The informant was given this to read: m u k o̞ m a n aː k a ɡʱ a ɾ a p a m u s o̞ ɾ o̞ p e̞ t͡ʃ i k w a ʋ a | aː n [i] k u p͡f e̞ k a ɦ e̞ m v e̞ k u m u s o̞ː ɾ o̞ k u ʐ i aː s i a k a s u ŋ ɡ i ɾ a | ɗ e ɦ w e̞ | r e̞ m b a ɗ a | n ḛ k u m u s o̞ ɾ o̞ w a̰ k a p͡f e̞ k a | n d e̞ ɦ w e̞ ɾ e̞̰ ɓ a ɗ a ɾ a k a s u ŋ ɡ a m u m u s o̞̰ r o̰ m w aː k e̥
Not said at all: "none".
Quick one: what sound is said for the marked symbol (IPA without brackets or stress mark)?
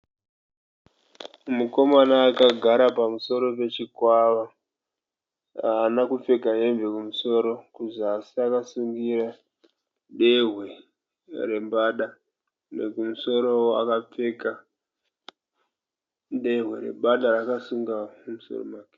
a